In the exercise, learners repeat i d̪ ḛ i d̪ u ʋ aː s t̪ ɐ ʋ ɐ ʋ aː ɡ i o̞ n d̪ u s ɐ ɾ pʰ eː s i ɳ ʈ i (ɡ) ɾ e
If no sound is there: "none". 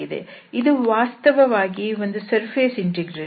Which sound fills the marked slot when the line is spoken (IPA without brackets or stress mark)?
ɡ